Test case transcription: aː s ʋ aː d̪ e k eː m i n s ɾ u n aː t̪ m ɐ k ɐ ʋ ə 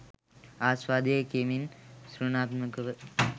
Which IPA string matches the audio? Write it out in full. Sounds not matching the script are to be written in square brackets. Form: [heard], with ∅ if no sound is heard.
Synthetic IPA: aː s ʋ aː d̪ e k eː m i n s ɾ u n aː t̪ m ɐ k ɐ ʋ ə

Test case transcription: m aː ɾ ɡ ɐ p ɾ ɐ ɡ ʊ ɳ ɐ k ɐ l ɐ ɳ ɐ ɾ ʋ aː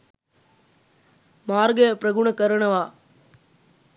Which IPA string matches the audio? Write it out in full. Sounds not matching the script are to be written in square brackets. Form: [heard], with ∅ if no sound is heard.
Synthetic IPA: m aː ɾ ɡ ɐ p ɾ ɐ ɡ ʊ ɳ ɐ k ɐ [ɾ] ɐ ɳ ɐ [∅] ʋ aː

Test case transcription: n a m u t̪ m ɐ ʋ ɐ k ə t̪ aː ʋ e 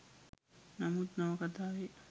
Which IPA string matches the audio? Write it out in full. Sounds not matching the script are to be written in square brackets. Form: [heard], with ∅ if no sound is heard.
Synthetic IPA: n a m u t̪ [n] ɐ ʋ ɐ k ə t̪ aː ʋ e

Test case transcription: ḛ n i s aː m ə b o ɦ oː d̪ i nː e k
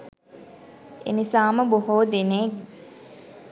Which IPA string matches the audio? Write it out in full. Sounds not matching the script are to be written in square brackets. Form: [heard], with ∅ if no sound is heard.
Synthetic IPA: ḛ n i s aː m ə b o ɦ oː d̪ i [n] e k

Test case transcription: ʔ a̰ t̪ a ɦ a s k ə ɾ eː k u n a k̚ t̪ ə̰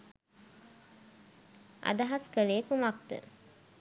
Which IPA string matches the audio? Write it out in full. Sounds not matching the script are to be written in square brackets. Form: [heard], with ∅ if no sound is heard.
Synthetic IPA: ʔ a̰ [d̪] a ɦ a s k ə [l] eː k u [m] a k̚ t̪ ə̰

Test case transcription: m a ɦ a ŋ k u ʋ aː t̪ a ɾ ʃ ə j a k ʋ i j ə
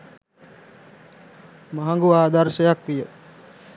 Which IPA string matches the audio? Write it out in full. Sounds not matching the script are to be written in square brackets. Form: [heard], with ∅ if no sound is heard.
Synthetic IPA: m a ɦ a ŋ [ɡ] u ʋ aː [d̪] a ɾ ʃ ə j a k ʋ i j ə

